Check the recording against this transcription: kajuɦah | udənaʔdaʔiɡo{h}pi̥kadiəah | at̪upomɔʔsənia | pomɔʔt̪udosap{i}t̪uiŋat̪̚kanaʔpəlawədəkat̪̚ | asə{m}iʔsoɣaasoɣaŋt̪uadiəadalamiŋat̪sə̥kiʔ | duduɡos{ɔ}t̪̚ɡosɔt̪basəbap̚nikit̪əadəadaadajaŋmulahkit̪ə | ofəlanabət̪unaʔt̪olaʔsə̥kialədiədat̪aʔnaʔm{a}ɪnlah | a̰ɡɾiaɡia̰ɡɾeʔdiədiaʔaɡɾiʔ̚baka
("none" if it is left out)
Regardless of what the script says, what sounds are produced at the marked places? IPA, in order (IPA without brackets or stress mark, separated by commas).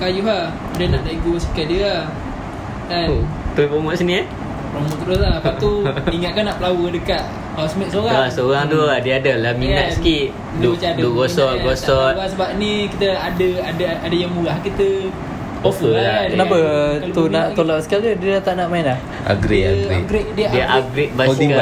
s, a, m, ɔ, a